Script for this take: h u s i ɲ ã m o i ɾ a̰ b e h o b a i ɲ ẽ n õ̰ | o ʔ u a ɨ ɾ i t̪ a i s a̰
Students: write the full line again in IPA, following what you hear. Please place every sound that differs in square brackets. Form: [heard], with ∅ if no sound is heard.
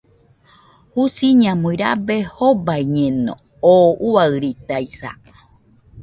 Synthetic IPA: h u s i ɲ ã m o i ɾ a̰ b e h o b a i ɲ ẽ n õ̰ | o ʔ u a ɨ ɾ i t̪ a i s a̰